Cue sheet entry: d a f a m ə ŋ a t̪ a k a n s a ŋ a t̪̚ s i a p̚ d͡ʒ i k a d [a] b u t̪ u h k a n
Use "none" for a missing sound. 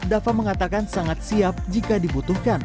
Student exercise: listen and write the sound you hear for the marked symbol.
i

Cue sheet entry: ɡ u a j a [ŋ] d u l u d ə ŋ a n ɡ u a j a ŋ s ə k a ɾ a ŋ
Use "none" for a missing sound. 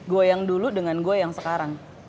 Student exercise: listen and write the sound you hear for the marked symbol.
ŋ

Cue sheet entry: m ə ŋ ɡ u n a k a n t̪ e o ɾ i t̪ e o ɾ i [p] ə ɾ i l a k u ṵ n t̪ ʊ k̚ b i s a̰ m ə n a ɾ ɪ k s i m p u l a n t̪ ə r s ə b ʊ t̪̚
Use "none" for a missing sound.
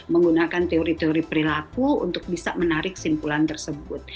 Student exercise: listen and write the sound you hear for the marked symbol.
p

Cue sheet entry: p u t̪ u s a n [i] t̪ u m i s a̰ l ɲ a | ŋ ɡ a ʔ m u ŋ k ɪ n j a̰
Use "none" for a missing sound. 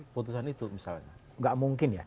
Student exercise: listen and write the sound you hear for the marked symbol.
i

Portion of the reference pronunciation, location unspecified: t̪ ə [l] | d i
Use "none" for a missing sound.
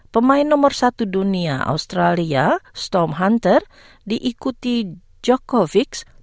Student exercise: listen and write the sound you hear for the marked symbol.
r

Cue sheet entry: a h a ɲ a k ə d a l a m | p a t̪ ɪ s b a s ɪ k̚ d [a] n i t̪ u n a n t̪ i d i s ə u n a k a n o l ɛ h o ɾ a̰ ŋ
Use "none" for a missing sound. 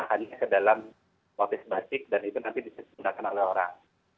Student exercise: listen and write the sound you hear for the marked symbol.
a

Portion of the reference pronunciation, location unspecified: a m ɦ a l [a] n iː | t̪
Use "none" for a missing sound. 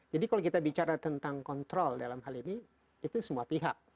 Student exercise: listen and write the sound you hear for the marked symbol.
i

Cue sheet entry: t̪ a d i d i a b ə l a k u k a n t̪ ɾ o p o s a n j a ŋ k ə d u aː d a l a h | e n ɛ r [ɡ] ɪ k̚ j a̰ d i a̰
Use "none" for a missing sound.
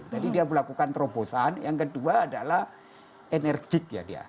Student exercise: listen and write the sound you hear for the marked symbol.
ɡ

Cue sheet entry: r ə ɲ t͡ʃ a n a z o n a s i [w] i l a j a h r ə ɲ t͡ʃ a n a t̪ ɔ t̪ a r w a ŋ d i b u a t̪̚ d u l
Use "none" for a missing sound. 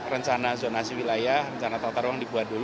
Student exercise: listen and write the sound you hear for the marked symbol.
w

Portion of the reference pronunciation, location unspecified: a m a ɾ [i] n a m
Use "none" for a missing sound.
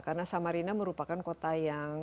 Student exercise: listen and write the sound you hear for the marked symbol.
i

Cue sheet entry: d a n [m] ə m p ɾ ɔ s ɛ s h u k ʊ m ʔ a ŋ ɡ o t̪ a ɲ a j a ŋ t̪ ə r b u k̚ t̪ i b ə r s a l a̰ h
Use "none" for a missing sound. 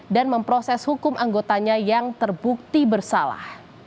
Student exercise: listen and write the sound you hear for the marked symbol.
m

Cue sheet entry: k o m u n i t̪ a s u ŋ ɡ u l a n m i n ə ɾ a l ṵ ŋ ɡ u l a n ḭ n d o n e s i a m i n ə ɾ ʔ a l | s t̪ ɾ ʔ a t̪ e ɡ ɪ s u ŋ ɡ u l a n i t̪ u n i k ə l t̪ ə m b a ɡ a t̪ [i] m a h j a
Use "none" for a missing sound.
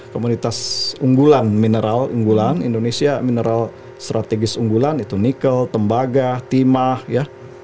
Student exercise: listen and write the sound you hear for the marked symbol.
i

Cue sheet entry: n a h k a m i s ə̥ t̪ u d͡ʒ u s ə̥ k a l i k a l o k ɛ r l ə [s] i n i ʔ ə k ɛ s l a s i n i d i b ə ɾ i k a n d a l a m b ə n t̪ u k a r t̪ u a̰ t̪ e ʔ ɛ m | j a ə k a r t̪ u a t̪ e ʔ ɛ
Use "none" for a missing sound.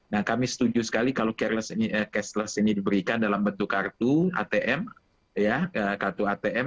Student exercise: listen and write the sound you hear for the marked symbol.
s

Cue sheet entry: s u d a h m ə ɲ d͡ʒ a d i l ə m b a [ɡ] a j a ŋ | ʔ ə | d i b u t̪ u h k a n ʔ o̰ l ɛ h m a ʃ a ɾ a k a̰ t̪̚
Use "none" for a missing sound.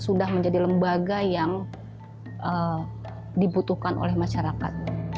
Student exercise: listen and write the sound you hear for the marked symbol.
ɡ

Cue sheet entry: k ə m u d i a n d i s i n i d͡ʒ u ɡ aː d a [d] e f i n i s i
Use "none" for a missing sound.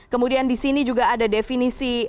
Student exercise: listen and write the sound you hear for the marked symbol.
d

